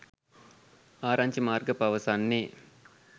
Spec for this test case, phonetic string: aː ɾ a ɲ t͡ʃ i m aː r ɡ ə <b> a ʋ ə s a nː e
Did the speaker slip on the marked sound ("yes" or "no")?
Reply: yes